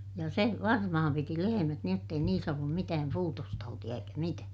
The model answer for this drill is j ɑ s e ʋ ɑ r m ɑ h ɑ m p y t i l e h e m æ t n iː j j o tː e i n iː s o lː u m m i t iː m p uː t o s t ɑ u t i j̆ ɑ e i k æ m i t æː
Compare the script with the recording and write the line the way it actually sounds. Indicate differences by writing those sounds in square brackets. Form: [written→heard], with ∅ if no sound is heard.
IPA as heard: j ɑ s e ʋ ɑ r m ɑ h ɑ m p [y→i] t i l e h e m æ t n iː j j o tː e i n iː s o lː u m m i t [iː→æː] m p uː t o s t ɑ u t i j̆ ɑ e i k æ m i t æː